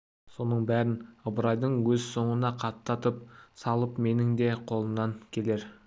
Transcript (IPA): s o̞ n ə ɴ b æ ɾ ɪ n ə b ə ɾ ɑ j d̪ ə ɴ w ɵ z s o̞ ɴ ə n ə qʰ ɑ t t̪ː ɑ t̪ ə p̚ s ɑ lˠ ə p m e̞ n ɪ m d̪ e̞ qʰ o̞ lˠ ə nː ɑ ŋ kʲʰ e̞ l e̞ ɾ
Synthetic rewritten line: s o̞ n ə ɴ b æ ɾ ɪ n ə b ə ɾ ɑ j d̪ ə ɴ w ɵ z s o̞ ɴ ə n ɑ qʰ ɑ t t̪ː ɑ t̪ ə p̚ s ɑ lˠ ə p m e̞ n ɪ ŋ d̪ e̞ qʰ o̞ lˠ ə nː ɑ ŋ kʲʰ e̞ l e̞ ɾ